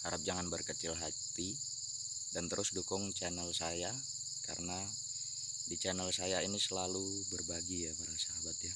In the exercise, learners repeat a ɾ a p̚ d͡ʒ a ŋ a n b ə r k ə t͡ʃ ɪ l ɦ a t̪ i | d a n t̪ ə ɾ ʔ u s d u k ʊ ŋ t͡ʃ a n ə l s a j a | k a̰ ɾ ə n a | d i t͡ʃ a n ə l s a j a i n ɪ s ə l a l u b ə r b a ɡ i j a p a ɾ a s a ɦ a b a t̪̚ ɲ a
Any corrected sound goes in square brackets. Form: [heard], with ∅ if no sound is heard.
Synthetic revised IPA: a ɾ a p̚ d͡ʒ a ŋ a n b ə r k ə t͡ʃ ɪ l ɦ a t̪ i | d a n t̪ ə ɾ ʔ [ʊ] s d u k ʊ ŋ t͡ʃ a n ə l s a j a | k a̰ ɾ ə n a | d i t͡ʃ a n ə l s a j a i n [i] s ə l a l u b ə r b a ɡ i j a p a ɾ a s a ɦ a b a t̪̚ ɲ a